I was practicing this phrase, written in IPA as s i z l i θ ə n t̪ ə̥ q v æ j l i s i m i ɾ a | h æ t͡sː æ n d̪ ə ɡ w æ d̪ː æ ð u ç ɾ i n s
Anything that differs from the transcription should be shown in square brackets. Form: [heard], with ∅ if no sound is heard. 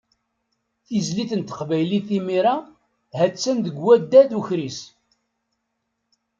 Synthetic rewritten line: [θ] i z l i θ ə n t̪ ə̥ q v æ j l i [θ] i m i ɾ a | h æ t͡sː æ n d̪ ə ɡ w æ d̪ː æ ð u ç ɾ i [∅] s